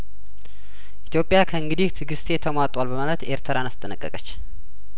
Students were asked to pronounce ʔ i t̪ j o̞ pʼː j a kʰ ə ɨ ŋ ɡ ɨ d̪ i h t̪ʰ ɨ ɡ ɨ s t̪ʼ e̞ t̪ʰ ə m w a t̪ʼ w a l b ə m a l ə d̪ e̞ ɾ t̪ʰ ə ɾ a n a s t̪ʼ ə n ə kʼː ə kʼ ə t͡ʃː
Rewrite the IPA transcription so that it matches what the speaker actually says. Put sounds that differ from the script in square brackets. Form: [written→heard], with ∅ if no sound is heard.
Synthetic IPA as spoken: ʔ i t̪ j o̞ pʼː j a kʰ ə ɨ ŋ ɡ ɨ d̪ i h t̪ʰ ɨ ɡ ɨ s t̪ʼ e̞ t̪ʰ ə m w a t̪ʼ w a l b ə m a l ə [d̪→t̪] e̞ ɾ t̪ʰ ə ɾ a n a s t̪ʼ ə n ə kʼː ə kʼ ə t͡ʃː